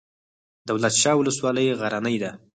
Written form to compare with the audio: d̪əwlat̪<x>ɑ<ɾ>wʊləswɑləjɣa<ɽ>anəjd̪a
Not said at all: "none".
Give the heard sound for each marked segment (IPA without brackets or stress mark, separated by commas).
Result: ʃ, none, ɾ